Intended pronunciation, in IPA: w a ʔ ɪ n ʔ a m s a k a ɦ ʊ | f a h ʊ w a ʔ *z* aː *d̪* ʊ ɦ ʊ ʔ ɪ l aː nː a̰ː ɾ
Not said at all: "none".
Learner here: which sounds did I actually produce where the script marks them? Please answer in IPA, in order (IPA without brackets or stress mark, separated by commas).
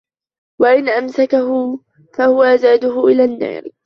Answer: z, d̪